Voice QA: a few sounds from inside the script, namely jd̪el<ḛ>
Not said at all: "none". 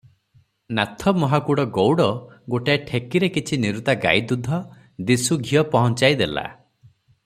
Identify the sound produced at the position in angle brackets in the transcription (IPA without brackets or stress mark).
a̰